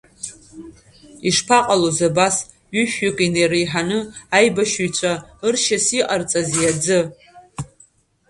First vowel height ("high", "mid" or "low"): high